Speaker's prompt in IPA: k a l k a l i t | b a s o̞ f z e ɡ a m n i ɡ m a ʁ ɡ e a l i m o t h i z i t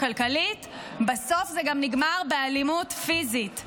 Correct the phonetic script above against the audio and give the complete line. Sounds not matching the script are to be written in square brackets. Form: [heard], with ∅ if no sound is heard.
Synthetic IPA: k a l k a l i t | b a s o̞ f z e ɡ a m n i ɡ m a ʁ [b] e a l i m [u] t [f] i z i t